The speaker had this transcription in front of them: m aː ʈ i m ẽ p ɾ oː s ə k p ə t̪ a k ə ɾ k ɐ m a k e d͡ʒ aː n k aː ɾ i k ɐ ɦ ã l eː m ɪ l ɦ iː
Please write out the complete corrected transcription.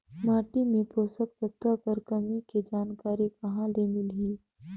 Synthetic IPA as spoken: m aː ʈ i m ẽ p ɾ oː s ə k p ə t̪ a k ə ɾ k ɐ m i k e d͡ʒ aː n k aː ɾ i k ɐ ɦ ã l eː m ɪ l ɦ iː

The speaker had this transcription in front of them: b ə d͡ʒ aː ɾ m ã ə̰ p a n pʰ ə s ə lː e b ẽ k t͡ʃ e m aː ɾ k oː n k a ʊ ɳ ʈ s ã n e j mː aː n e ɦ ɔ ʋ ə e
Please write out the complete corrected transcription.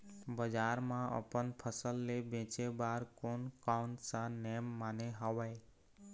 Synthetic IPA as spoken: b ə d͡ʒ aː ɾ m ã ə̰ p ə n pʰ ə s ə lː e b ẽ t͡ʃ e b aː ɾ k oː n k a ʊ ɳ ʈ s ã n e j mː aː n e ɦ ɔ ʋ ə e

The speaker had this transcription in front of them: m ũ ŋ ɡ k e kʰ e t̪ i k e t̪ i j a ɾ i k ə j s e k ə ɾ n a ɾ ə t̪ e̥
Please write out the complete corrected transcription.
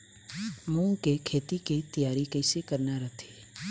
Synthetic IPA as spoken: m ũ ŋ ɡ k e kʰ e t̪ i k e t̪ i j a ɾ i k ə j s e k ə ɾ n a ɾ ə t̪ʰ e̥

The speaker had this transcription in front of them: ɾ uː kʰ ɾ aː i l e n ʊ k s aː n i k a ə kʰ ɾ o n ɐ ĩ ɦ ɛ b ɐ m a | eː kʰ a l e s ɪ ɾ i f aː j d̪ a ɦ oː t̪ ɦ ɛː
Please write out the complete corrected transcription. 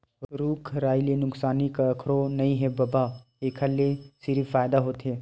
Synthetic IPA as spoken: ɾ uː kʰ ɾ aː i l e n ʊ k s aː n i k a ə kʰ ɾ o n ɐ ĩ ɦ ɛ b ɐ b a | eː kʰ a l e s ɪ ɾ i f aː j d̪ a ɦ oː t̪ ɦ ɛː

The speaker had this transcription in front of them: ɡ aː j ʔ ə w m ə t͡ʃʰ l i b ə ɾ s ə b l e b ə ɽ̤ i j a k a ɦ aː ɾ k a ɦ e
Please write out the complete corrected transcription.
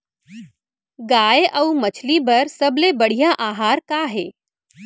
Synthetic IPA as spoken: ɡ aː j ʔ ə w m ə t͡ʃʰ l i b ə ɾ s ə b l e b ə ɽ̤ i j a ʔ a ɦ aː ɾ k a ɦ e

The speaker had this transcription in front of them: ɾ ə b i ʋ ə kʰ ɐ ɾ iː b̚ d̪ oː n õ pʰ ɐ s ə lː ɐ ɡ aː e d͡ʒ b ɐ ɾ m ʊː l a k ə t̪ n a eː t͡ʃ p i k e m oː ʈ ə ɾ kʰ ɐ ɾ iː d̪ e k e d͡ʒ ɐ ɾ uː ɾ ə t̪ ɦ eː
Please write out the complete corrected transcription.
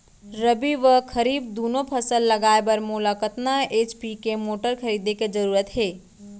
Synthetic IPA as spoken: ɾ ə b i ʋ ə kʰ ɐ ɾ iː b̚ d̪ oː n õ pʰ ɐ s ə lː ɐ ɡ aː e b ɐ ɾ m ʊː l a k ə t̪ n a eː t͡ʃ p i k e m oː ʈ ə ɾ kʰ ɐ ɾ iː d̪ e k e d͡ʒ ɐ ɾ uː ɾ ə t̪ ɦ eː

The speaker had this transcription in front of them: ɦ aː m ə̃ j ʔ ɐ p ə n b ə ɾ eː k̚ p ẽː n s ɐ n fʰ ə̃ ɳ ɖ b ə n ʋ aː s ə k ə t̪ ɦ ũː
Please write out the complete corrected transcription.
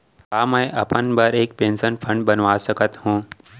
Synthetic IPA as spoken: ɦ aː m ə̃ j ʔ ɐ p ə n b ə ɾ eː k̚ p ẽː n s ə n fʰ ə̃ ɳ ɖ b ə n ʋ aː s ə k ə t̪ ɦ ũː

